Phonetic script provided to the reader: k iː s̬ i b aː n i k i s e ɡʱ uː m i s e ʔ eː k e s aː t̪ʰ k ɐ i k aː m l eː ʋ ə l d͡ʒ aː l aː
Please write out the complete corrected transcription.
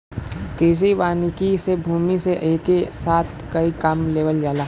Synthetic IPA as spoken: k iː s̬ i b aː n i k i s e bʱ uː m i s e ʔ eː k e s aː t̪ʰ k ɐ i k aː m l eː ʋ ə l d͡ʒ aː l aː